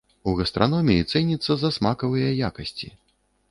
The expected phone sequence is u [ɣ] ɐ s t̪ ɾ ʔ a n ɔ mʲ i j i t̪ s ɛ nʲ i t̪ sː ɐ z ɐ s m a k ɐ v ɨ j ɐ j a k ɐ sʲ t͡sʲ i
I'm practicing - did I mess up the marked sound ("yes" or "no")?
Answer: no